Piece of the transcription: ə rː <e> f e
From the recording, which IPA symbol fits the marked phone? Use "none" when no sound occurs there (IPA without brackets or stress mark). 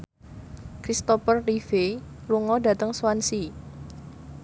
i